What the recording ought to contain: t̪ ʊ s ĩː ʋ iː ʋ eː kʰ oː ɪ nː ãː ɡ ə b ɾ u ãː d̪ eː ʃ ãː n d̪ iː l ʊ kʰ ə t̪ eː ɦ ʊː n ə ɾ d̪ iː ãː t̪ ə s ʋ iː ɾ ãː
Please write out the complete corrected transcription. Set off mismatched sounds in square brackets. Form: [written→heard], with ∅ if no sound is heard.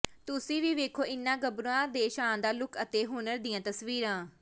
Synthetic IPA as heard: t̪ ʊ s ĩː ʋ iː ʋ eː kʰ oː ɪ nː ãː ɡ ə b ɾ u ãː d̪ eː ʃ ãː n d̪ [iː→aː] l ʊ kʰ ə t̪ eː ɦ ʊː n ə ɾ d̪ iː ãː t̪ ə s ʋ iː ɾ ãː